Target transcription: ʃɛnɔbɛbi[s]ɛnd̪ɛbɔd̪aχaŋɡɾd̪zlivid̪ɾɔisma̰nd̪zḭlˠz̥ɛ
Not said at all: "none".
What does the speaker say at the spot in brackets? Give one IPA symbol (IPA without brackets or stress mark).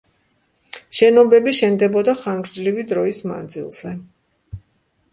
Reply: ʃ